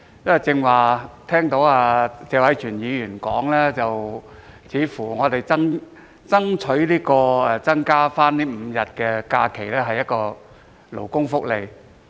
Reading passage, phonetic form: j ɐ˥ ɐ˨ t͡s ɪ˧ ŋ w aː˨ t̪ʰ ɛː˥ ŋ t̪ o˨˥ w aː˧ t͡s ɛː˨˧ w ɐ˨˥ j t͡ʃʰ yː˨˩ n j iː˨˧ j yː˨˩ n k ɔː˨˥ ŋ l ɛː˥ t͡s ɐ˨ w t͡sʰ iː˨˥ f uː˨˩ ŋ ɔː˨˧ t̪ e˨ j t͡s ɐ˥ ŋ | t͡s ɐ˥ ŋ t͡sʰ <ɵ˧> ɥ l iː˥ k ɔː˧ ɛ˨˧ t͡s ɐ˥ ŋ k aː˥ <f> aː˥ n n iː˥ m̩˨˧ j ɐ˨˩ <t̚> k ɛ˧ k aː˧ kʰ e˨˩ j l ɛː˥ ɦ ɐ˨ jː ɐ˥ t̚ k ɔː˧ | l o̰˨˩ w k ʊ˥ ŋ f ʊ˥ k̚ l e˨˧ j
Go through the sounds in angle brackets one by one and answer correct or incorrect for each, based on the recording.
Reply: incorrect, correct, correct

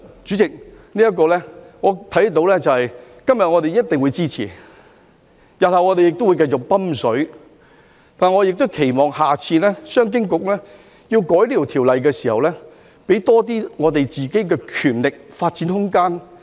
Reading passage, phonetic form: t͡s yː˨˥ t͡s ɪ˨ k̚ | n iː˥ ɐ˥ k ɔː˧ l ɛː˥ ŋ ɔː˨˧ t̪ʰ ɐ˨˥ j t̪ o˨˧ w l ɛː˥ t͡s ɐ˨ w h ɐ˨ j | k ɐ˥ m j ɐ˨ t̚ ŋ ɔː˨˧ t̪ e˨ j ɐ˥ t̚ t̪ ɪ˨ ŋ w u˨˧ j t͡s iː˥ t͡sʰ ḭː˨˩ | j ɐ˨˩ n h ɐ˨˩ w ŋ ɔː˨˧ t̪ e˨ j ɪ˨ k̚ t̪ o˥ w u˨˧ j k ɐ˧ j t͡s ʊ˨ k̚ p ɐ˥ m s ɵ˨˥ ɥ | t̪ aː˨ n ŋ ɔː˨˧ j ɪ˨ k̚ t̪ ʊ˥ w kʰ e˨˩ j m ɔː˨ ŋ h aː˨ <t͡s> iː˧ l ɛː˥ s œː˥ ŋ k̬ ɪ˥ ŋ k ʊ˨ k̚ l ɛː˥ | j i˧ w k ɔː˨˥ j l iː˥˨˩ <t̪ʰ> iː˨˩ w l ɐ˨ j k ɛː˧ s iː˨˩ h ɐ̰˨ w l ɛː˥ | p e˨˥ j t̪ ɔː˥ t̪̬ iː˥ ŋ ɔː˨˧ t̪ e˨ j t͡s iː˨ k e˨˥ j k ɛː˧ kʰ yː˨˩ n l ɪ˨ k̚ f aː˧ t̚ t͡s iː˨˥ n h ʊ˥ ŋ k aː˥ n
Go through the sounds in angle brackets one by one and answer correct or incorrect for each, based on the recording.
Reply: incorrect, correct

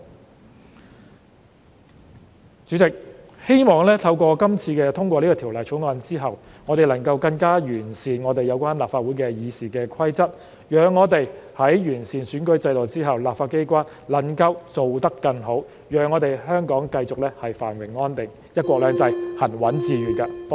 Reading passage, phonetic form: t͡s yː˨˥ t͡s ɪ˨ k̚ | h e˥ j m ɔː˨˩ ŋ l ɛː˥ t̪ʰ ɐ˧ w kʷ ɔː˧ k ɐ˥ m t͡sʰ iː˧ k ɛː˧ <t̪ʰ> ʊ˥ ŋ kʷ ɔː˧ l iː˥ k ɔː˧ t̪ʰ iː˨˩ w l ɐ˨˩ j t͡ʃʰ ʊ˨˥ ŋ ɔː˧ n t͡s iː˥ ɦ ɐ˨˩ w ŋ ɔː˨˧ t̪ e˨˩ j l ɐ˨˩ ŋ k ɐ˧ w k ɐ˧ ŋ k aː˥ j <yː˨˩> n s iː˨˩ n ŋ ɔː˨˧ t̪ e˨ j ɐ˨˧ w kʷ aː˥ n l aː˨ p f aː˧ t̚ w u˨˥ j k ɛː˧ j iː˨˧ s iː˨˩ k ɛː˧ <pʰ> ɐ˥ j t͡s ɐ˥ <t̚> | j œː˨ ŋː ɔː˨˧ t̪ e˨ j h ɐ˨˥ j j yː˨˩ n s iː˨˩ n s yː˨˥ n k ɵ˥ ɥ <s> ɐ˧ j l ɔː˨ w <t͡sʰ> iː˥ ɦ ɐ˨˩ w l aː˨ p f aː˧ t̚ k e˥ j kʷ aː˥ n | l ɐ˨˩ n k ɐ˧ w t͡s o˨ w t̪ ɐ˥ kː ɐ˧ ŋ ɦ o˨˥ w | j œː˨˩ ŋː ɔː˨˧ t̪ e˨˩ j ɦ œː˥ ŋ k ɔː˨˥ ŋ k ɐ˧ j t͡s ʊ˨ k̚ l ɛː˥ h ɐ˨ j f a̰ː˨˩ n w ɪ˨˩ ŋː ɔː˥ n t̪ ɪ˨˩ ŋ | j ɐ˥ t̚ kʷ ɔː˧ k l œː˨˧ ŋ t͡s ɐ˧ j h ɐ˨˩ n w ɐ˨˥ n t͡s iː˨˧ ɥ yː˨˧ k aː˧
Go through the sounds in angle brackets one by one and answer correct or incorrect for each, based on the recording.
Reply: correct, correct, incorrect, correct, incorrect, incorrect

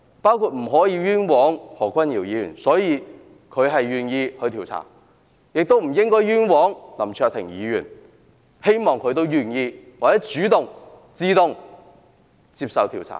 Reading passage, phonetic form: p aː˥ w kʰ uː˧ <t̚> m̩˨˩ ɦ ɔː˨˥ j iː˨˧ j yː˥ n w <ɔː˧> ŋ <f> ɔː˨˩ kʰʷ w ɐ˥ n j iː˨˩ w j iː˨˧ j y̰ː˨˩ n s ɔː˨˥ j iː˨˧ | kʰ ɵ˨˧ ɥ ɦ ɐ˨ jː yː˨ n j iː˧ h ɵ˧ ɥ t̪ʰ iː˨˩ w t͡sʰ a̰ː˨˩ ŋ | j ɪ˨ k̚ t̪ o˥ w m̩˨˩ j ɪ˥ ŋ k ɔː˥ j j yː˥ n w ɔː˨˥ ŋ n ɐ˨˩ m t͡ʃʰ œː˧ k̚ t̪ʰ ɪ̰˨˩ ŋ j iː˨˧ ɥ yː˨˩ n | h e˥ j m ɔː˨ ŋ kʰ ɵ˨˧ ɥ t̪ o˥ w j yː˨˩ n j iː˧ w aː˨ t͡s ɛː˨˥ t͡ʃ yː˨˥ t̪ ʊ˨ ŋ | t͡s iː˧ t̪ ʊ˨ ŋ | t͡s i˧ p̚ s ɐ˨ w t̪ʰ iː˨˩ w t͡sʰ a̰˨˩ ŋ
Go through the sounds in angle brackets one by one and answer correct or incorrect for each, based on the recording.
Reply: correct, incorrect, incorrect

